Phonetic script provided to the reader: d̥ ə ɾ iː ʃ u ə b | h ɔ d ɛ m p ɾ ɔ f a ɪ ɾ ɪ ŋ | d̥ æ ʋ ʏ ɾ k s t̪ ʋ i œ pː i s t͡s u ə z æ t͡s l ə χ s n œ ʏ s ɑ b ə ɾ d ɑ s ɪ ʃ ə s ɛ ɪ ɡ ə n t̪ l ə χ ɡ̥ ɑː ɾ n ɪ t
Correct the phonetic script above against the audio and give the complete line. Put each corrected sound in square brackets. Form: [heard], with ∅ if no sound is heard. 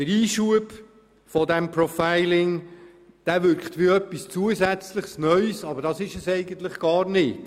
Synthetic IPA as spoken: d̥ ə ɾ iː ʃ u ə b | [f] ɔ d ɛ m p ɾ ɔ f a ɪ [l] ɪ ŋ | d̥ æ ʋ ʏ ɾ k [χ] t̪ ʋ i œ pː i s t͡s u ə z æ t͡s l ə χ s n œ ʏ s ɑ b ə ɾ d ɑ s ɪ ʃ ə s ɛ ɪ ɡ ə n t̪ l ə χ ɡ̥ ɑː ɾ n ɪ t